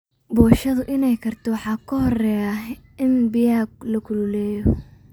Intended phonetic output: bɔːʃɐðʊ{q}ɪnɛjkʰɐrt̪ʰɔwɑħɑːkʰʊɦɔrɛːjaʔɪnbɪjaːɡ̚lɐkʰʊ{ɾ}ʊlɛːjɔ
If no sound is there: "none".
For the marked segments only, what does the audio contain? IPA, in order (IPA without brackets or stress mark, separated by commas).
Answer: ʔ, l